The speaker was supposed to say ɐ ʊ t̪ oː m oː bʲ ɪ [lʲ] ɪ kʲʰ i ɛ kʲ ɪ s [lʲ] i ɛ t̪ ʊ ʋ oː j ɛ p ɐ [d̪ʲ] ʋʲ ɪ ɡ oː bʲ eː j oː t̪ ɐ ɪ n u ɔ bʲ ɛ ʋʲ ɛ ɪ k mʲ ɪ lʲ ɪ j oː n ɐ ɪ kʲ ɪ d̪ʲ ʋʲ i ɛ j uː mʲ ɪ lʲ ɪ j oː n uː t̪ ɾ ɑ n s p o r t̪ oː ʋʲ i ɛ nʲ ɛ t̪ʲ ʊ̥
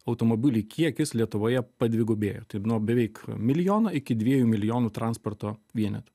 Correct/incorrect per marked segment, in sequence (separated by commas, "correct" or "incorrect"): correct, correct, correct